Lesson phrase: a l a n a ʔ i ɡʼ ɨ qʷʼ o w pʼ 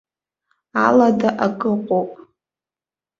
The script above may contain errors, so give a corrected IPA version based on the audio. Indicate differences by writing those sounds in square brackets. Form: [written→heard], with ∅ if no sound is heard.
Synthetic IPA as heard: a l a [n→d] a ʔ [i→a] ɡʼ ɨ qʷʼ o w pʼ